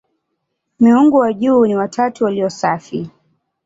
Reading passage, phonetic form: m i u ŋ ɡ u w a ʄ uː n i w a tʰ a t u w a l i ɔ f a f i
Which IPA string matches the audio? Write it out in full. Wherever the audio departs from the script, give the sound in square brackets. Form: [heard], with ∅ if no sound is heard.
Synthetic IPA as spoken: m i u ŋ ɡ u w a ʄ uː n i w a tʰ a t u w a l i ɔ [s] a f i